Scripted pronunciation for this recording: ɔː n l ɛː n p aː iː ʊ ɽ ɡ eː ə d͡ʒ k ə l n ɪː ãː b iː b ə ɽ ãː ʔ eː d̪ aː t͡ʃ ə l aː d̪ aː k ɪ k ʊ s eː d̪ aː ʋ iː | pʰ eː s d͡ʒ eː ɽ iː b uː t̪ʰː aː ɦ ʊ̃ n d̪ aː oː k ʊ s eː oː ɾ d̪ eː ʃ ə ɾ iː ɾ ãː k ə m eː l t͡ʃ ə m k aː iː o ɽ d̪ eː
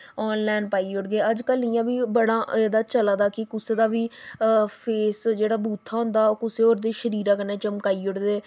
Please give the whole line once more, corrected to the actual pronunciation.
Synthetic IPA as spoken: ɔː n l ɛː n p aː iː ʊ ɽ ɡ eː ə d͡ʒ k ə l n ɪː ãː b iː b ə ɽ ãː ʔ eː d̪ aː t͡ʃ ə l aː d̪ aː k ɪ k ʊ s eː d̪ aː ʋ iː | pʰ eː s d͡ʒ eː ɽ aː b uː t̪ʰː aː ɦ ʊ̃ n d̪ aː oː k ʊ s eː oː ɾ d̪ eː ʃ ə ɾ iː ɾ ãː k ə n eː t͡ʃ ə m k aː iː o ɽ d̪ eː